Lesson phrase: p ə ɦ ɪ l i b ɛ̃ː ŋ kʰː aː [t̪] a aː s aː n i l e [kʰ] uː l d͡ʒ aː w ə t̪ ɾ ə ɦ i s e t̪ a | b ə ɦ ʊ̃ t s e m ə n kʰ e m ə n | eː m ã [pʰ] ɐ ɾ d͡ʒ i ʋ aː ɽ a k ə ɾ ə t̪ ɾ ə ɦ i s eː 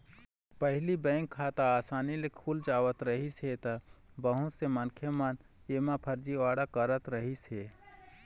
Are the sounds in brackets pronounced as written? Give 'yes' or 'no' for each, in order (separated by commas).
yes, yes, yes